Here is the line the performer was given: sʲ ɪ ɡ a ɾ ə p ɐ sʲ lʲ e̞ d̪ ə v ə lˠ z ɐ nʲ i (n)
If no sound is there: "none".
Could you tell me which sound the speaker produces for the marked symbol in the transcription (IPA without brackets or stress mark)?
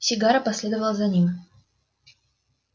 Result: m